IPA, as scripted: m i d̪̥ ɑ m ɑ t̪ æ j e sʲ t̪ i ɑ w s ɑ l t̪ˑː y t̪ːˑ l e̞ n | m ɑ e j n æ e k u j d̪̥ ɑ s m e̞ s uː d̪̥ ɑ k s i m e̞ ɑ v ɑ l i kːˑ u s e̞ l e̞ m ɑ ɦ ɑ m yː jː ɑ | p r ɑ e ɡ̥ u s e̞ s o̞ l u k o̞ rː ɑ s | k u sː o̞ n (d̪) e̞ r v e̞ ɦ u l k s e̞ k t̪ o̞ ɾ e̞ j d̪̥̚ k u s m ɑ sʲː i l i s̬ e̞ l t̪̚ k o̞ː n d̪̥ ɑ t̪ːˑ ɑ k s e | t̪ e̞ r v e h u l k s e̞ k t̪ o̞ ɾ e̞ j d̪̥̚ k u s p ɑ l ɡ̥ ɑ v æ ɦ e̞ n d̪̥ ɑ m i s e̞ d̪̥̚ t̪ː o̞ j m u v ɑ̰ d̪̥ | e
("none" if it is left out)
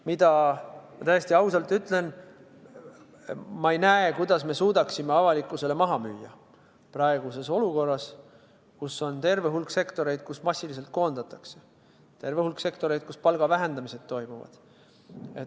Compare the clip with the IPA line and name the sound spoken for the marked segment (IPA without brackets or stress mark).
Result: t̪